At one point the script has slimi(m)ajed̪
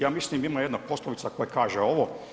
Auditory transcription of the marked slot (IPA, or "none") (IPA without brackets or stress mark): m